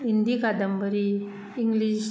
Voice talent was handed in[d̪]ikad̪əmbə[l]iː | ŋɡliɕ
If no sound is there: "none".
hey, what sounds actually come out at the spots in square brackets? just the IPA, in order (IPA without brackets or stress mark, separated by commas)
d̪, ɾ